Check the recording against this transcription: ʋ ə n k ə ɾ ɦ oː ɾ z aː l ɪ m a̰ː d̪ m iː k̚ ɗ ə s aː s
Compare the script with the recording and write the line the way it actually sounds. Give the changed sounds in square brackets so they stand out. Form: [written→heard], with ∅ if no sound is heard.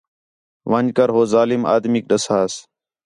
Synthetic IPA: ʋ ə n k ə ɾ ɦ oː [ɾ→∅] z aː l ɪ m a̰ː d̪ m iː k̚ ɗ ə s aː s